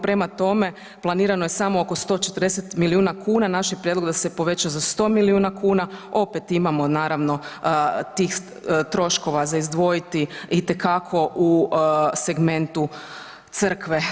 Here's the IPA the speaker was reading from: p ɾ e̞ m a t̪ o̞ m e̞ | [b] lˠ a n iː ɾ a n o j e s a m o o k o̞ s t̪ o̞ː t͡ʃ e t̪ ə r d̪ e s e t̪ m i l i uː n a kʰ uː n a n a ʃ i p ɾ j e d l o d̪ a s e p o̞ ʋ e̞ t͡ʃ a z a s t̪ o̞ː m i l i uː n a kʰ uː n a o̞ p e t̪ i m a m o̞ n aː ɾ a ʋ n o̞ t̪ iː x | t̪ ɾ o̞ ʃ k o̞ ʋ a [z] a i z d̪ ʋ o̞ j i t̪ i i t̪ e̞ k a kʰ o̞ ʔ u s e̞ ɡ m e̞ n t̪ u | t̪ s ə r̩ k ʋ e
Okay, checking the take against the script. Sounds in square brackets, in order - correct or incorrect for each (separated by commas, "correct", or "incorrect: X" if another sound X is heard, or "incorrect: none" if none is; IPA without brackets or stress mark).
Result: incorrect: p, correct